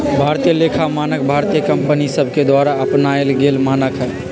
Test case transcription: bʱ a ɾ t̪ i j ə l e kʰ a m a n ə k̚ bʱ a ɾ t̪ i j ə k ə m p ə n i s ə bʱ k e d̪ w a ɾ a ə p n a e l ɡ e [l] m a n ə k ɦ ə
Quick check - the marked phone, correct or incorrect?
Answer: correct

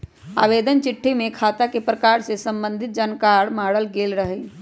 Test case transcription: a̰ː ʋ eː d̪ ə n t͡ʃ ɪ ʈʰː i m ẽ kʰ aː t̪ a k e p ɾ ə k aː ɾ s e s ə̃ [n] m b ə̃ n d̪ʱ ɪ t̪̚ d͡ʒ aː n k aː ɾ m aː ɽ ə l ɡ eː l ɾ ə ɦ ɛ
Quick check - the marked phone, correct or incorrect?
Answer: incorrect: none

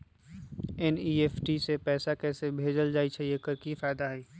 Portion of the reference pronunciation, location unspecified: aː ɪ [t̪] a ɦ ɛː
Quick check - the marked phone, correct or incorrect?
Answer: incorrect: d̪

